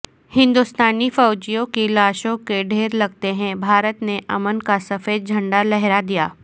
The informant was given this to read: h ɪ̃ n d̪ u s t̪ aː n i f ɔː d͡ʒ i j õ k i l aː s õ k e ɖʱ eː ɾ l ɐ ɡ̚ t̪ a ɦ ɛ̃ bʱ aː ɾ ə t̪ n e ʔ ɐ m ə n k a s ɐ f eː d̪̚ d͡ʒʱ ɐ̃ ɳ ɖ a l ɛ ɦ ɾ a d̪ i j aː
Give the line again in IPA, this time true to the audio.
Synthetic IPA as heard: h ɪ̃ n d̪ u s t̪ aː n i f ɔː d͡ʒ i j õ k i l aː ʃ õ k e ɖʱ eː ɾ l ɐ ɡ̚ t̪ e ɦ ɛ̃ bʱ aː ɾ ə t̪ n e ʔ ɐ m ə n k a s ɐ f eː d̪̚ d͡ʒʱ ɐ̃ ɳ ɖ a l ɛ ɦ ɾ a d̪ i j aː